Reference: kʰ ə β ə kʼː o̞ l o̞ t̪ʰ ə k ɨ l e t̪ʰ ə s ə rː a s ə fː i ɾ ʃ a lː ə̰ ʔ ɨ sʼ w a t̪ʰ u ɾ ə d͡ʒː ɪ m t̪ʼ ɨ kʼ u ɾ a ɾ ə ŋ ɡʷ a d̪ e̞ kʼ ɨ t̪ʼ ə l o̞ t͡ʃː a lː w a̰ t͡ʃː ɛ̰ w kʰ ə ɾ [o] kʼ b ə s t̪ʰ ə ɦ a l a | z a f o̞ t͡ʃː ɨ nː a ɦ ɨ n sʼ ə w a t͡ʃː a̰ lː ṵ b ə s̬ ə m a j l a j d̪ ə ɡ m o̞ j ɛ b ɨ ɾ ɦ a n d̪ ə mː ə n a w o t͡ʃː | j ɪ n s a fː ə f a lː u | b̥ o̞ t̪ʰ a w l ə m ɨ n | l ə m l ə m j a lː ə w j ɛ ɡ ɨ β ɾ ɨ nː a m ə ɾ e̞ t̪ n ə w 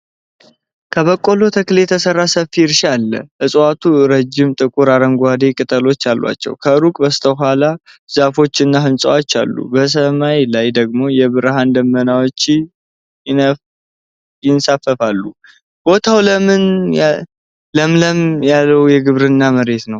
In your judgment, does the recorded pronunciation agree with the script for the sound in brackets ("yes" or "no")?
no